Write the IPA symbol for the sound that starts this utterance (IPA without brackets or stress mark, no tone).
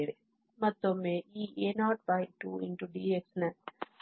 ɾ